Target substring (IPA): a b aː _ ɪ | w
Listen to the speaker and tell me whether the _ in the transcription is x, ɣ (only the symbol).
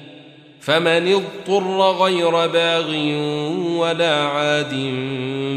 ɣ